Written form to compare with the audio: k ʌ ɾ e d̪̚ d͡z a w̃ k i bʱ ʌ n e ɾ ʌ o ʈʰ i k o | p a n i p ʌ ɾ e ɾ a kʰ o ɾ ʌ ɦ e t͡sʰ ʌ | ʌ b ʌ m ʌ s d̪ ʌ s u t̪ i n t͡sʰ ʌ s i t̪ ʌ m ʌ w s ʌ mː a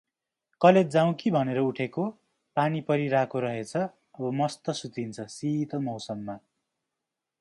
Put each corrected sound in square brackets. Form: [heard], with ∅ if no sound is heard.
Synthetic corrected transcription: k ʌ [l] e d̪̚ d͡z a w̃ k i bʱ ʌ n e ɾ ʌ [u] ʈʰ [e] k o | p a n i p ʌ ɾ [i] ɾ a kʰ o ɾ ʌ ɦ e t͡sʰ ʌ | ʌ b ʌ m ʌ s [t̪] ʌ s u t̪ i n t͡sʰ ʌ s i t̪ ʌ m ʌ w s ʌ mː a